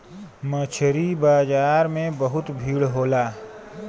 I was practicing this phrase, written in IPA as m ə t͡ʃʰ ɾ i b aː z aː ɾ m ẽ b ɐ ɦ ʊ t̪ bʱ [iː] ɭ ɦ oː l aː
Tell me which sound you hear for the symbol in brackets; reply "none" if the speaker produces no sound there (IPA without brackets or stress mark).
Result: iː